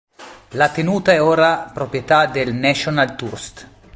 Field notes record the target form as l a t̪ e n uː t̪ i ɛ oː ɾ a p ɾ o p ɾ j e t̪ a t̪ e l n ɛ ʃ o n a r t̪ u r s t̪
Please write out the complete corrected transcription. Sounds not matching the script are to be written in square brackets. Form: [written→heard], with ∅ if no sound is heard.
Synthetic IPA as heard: l a t̪ e n uː t̪ [i→a] ɛ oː ɾ a p ɾ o p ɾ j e t̪ a [t̪→d̪] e l n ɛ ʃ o n a [r→l] t̪ u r s t̪